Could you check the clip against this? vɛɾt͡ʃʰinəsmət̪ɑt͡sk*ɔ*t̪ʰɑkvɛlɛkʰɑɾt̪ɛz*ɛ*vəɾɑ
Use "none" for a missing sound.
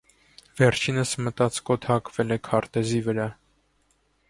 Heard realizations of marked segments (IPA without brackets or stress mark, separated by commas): ɔ, i